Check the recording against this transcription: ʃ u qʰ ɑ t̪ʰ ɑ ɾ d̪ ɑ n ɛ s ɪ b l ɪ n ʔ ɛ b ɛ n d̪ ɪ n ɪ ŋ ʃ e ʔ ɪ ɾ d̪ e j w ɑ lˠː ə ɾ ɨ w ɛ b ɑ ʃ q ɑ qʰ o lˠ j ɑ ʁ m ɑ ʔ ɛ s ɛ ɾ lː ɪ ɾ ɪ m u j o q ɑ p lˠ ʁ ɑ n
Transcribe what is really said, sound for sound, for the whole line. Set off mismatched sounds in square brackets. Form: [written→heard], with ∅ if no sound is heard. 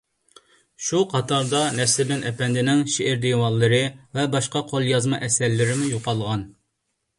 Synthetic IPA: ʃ u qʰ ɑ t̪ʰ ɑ ɾ d̪ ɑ n ɛ s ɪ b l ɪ n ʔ ɛ [b→p] ɛ n d̪ ɪ n ɪ ŋ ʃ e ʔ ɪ ɾ d̪ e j w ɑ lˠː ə ɾ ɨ [w→v] ɛ b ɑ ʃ q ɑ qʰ o lˠ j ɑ [ʁ→z] m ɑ ʔ ɛ s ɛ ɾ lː ɪ ɾ ɪ m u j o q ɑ [p→∅] lˠ ʁ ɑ n